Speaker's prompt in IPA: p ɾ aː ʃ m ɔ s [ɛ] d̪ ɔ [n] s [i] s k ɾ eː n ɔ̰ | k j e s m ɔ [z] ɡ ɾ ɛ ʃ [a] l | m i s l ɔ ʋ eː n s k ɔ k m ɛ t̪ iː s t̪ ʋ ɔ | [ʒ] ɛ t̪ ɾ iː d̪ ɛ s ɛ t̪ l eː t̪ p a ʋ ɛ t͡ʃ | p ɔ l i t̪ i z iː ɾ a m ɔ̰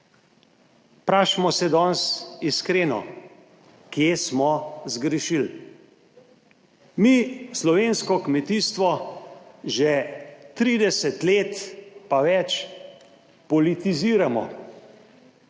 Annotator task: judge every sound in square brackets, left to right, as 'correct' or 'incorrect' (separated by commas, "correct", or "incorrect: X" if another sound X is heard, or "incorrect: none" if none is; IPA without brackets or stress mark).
correct, correct, correct, correct, incorrect: i, correct